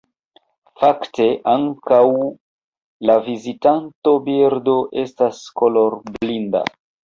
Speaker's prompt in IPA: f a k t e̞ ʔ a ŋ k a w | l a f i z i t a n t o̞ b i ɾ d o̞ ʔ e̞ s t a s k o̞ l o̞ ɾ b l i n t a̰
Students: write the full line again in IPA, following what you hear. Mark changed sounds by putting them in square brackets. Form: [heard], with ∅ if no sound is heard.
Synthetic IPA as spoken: f a k t e̞ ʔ a ŋ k a w | l a [v] i z i t a n t o̞ b i ɾ d o̞ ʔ e̞ s t a s k o̞ l o̞ ɾ b l i n [d] a̰